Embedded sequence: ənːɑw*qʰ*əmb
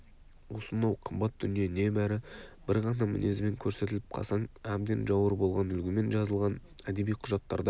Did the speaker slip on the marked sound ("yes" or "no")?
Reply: no